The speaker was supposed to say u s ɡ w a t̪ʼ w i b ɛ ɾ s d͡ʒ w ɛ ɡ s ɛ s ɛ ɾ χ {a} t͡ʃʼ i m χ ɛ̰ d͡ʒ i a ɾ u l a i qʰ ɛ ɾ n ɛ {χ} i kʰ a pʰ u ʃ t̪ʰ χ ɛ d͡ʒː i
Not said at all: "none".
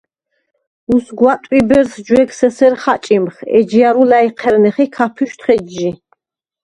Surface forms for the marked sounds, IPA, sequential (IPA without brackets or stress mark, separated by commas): a, χ